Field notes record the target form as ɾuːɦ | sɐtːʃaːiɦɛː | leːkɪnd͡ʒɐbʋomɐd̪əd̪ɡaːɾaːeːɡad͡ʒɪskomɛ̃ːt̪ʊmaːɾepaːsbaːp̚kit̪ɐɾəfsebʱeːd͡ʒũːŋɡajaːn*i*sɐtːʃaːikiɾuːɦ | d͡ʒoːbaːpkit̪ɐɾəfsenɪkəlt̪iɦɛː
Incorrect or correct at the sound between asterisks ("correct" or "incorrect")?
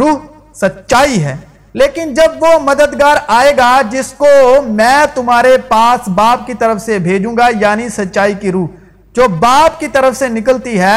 correct